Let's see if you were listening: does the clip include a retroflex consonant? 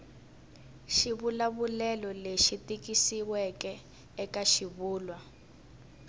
no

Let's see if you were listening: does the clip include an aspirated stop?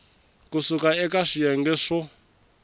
no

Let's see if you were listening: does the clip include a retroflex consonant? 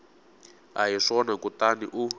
yes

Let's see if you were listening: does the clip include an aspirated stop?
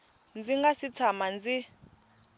yes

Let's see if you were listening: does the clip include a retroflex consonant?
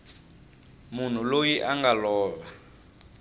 no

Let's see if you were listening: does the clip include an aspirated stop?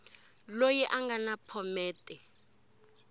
yes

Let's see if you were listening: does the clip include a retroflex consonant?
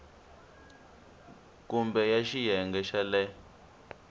no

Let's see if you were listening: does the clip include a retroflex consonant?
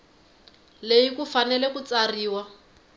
no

